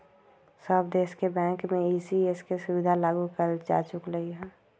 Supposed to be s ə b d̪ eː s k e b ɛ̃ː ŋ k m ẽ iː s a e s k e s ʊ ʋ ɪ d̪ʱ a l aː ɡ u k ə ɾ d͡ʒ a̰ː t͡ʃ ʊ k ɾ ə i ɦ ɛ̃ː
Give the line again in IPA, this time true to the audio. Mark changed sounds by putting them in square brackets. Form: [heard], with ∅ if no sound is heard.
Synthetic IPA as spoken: s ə b d̪ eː s k e b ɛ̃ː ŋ k m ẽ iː s [i] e s k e s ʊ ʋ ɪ d̪ʱ a l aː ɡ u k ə ɾ d͡ʒ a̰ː t͡ʃ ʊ k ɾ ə i ɦ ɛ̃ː